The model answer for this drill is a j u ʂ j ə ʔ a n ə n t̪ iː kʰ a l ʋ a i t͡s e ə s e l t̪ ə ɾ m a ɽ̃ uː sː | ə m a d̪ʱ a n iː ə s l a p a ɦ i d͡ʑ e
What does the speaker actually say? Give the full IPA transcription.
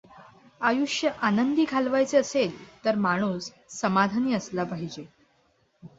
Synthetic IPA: a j u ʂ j ə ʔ a n ə n d̪ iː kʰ a l ʋ a j t͡s e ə s e l t̪ ə ɾ m a ɽ̃ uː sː | ə m a d̪ʱ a n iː ə s l a p a ɦ i d͡ʑ e